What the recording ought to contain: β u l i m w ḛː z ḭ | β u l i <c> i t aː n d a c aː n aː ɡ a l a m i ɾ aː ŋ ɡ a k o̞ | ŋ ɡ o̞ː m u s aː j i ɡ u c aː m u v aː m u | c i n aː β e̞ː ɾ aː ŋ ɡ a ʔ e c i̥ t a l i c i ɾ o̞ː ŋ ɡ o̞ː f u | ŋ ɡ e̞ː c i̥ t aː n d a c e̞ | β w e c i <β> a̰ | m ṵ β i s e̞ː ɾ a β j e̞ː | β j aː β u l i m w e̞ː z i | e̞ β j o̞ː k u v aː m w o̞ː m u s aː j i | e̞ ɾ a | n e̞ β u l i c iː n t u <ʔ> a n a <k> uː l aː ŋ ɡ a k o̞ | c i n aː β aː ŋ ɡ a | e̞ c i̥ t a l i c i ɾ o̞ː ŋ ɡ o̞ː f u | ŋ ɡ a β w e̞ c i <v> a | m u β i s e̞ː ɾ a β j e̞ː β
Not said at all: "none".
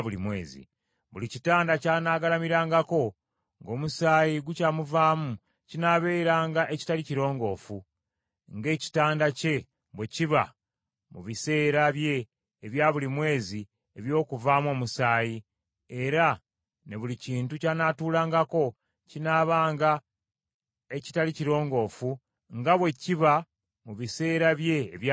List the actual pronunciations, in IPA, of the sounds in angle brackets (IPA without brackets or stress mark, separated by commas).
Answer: c, β, c, t, β